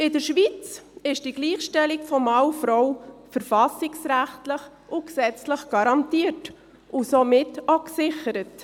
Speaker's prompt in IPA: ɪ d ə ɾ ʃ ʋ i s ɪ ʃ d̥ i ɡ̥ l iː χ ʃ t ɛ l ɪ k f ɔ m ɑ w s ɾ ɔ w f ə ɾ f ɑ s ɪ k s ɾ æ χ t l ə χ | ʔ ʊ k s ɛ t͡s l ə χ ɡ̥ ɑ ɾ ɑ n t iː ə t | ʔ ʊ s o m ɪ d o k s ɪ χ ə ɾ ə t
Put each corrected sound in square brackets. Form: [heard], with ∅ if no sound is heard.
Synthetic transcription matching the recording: ɪ d ə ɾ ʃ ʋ i [t͡s] ɪ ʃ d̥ i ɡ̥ l iː χ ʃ t ɛ l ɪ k f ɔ m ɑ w [f] ɾ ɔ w f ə ɾ f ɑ s ɪ k s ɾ æ χ t l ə χ | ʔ ʊ k s ɛ t͡s l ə χ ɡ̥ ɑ ɾ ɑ n t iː ə t | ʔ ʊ s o m ɪ [t] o k s ɪ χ ə ɾ ə t